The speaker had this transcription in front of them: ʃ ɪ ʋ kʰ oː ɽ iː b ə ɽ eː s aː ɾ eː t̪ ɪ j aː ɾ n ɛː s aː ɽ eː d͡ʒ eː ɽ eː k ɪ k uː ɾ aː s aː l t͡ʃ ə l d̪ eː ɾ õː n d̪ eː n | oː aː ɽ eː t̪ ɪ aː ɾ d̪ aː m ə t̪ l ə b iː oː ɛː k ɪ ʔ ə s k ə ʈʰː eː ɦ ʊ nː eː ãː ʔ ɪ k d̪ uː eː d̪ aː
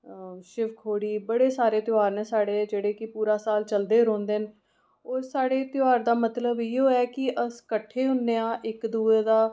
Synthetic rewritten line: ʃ ɪ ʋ kʰ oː ɽ iː b ə ɽ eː s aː ɾ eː t̪ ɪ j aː ɾ n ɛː s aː ɽ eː d͡ʒ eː ɽ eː k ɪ p uː ɾ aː s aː l t͡ʃ ə l d̪ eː ɾ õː n d̪ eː n | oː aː ɽ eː t̪ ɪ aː ɾ d̪ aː m ə t̪ l ə b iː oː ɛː k ɪ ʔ ə s k ə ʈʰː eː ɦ ʊ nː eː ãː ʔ ɪ k d̪ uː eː d̪ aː

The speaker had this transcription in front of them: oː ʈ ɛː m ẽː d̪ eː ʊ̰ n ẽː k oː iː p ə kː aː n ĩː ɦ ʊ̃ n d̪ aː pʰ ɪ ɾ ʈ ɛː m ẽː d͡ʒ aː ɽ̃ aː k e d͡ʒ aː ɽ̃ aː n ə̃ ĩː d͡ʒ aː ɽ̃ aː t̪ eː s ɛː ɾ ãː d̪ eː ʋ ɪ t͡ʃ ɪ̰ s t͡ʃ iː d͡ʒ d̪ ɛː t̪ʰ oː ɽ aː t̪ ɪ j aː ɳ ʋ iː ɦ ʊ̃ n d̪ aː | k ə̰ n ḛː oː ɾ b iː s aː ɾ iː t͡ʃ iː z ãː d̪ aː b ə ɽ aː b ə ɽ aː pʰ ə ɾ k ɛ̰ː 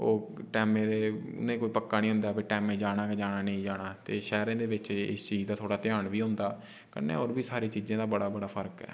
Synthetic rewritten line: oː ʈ ɛː m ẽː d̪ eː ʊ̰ n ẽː k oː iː p ə kː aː n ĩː ɦ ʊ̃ n d̪ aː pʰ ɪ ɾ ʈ ɛː m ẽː d͡ʒ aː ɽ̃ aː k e d͡ʒ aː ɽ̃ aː n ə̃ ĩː d͡ʒ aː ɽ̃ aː t̪ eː ʃ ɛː ɾ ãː d̪ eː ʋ ɪ t͡ʃ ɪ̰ s t͡ʃ iː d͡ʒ d̪ aː t̪ʰ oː ɽ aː t̪ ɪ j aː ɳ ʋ iː ɦ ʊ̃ n d̪ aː | k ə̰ n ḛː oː ɾ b iː s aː ɾ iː t͡ʃ iː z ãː d̪ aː b ə ɽ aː b ə ɽ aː pʰ ə ɾ k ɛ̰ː

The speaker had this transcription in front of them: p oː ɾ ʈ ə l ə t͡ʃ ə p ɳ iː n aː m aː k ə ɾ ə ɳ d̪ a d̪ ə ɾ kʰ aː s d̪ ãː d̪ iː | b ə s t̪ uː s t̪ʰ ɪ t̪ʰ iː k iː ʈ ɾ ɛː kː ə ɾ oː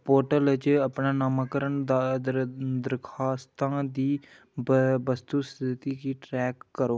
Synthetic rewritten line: p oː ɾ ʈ ə l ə t͡ʃ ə p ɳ aː n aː m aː k ə ɾ ə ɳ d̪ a d̪ ə ɾ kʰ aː s t̪ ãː d̪ iː | b ə s t̪ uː s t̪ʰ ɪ t̪ iː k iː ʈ ɾ ɛː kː ə ɾ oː

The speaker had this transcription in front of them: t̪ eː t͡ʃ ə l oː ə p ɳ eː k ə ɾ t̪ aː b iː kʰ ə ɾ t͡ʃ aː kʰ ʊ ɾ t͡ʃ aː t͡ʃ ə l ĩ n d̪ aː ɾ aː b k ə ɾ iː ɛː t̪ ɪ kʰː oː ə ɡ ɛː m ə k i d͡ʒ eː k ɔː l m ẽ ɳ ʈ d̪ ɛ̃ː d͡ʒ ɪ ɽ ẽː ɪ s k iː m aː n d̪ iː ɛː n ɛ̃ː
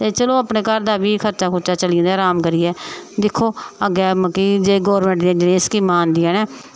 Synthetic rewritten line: t̪ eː t͡ʃ ə l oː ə p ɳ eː k ə ɾ d̪ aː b iː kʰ ə ɾ t͡ʃ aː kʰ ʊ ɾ t͡ʃ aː t͡ʃ ə l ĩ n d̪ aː ɾ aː m k ə ɾ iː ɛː d̪ ɪ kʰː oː ə ɡ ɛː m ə k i d͡ʒ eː ɡ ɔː ɾ m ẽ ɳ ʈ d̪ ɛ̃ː d͡ʒ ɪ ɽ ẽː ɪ s k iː m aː n d̪ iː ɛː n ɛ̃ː

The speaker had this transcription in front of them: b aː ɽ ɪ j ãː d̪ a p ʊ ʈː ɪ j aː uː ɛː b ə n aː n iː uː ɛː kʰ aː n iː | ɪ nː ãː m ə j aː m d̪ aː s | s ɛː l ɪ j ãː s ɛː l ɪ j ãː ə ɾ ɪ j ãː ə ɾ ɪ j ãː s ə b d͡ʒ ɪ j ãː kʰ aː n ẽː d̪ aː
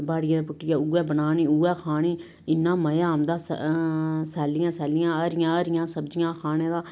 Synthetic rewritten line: b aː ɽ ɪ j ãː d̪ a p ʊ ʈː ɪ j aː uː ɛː b ə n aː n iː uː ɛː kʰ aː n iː | ɪ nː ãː m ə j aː m d̪ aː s | s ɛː l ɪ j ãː s ɛː l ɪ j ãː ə ɾ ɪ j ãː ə ɾ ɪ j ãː s ə b d͡ʒ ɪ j ãː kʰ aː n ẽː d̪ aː

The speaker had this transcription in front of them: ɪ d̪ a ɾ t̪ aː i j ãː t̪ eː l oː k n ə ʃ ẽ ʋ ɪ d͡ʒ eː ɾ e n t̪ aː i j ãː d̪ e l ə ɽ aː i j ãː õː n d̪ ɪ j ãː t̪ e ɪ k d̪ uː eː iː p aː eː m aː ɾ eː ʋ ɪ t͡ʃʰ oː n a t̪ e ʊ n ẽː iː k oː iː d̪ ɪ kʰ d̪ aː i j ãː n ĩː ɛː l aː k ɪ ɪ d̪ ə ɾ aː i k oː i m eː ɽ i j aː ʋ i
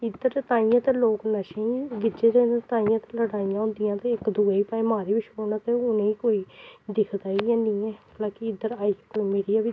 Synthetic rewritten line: ɪ d̪ ə ɾ t̪ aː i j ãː t̪ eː l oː k n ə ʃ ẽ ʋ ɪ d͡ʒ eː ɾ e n t̪ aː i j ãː t̪ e l ə ɽ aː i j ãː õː n d̪ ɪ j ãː t̪ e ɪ k d̪ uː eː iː p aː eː m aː ɾ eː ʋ ɪ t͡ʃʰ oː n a t̪ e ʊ n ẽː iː k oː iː d̪ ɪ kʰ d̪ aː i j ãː n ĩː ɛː l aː k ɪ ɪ d̪ ə ɾ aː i k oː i m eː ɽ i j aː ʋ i

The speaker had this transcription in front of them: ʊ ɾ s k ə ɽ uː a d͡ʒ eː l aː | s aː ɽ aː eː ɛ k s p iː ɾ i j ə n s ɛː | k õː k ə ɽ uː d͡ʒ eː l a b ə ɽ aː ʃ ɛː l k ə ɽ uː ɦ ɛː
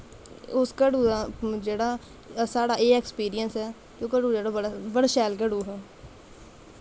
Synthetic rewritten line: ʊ s k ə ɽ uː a d͡ʒ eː ɽ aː | s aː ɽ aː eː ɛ k s p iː ɾ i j ə n s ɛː | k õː k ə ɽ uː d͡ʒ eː ɽ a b ə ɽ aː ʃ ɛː l k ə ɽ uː ɦ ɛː

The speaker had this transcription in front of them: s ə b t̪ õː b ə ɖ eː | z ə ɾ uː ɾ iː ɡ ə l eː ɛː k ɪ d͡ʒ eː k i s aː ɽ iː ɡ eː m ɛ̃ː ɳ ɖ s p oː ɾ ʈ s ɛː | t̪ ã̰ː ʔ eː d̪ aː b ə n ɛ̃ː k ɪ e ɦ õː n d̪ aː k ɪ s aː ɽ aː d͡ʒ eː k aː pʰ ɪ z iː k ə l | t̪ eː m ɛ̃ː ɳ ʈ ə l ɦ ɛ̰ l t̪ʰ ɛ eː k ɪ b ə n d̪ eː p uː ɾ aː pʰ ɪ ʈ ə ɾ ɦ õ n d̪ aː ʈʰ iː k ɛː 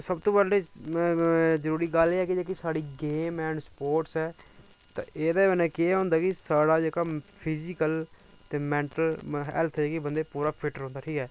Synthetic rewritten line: s ə b t̪ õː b ə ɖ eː | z ə ɾ uː ɾ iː ɡ ə l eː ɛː k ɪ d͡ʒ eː k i s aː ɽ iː ɡ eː m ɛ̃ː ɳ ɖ s p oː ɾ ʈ s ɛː | t̪ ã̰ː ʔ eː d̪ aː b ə n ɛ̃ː k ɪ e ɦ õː n d̪ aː k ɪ s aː ɽ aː d͡ʒ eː k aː pʰ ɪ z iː k ə l | t̪ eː m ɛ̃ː ɳ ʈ ə l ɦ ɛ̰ l t̪ʰ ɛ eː k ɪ b ə n d̪ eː p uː ɾ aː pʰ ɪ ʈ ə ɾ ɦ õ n d̪ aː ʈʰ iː k ɛː

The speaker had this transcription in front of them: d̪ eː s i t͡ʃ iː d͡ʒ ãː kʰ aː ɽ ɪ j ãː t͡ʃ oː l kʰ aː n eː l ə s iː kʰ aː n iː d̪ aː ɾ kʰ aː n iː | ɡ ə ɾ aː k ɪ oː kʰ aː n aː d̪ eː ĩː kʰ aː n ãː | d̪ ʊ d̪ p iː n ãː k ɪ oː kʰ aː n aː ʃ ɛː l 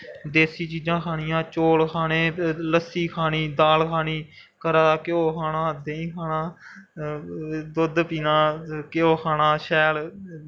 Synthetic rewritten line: d̪ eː s iː t͡ʃ iː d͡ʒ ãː kʰ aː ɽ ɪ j ãː t͡ʃ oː l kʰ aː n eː l ə s iː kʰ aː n iː d̪ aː l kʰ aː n iː | k ə ɾ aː k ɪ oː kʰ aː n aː d̪ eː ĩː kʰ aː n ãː | d̪ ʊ d̪ p iː n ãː k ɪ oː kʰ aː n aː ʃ ɛː l

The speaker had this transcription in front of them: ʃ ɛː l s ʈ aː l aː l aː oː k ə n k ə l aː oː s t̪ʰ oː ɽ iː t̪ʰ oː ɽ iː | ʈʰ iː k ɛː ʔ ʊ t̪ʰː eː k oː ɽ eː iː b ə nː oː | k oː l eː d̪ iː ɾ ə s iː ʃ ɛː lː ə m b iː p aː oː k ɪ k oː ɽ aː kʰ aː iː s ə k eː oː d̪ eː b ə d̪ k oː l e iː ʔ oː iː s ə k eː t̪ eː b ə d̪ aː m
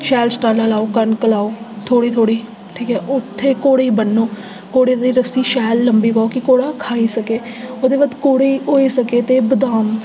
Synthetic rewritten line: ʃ ɛː l s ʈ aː l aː l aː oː k ə n k ə l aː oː t̪ʰ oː ɽ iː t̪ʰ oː ɽ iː | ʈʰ iː k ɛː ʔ ʊ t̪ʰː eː k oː ɽ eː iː b ə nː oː | k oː ɽ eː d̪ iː ɾ ə s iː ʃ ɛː lː ə m b iː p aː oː k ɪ k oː ɽ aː kʰ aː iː s ə k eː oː d̪ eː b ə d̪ k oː ɽ e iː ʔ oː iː s ə k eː t̪ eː b ə d̪ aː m

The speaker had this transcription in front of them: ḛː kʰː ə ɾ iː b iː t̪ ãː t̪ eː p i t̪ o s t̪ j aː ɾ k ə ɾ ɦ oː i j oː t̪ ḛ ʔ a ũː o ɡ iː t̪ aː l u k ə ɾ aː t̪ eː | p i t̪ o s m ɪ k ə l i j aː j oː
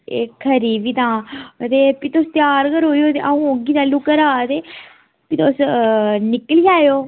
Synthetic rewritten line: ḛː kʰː ə ɾ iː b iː t̪ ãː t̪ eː p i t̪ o s t̪ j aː ɾ k ə ɾ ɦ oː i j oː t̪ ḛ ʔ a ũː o ɡ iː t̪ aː l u k ə ɾ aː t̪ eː | p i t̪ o s n ɪ k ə l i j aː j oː

